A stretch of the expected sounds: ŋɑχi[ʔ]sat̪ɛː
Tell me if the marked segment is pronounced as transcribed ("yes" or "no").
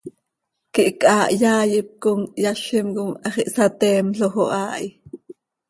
yes